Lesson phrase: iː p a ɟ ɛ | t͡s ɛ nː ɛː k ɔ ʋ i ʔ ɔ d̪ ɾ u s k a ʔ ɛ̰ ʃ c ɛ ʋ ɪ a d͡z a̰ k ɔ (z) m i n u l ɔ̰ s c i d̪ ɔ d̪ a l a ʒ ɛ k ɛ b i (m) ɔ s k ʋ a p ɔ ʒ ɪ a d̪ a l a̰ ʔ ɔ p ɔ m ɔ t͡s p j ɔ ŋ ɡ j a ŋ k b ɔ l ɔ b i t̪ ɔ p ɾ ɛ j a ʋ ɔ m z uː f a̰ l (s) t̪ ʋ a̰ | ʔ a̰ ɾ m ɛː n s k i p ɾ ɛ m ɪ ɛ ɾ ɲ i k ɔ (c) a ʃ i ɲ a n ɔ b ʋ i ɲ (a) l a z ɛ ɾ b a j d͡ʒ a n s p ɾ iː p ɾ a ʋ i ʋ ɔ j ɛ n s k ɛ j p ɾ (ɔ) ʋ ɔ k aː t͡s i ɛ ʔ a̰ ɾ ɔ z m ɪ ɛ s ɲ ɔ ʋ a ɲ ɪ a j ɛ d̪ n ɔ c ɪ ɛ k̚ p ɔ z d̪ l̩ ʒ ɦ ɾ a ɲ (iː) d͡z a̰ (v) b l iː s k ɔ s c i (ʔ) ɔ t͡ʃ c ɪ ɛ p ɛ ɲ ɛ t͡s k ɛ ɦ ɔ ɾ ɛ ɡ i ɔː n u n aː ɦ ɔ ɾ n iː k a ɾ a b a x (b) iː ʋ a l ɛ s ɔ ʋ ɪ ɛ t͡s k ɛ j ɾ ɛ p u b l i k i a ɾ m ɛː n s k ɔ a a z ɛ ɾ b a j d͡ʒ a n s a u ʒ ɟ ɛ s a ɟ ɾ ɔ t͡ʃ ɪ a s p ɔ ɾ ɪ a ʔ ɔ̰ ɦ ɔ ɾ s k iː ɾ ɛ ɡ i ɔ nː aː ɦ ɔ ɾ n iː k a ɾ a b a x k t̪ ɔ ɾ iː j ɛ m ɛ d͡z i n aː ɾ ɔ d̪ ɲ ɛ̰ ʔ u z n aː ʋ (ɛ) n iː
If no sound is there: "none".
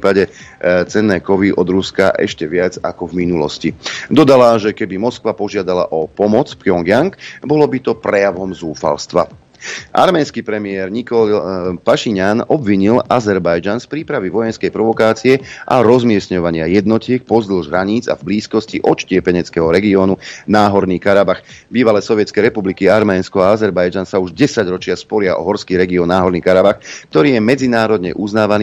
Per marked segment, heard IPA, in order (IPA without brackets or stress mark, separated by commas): v, m, s, p, i, ɔ, iː, v, ʔ, b, a